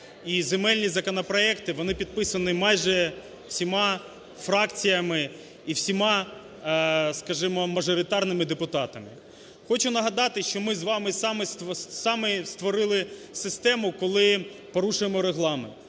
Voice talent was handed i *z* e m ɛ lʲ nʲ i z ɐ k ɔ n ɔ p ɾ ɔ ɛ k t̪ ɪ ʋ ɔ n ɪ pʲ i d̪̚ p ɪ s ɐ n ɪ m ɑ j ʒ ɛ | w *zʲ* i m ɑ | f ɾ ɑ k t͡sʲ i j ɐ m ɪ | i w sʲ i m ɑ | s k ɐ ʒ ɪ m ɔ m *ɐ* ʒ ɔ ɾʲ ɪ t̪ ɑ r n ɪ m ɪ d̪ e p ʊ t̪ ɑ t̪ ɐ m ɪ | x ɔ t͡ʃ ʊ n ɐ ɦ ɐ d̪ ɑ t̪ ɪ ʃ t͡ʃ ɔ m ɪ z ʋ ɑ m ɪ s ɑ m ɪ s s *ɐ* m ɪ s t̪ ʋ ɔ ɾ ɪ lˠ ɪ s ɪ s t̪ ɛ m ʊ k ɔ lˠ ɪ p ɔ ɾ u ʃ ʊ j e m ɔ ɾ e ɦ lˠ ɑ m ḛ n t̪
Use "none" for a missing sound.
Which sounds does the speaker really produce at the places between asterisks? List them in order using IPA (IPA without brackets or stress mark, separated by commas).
z, sʲ, ɐ, ɑ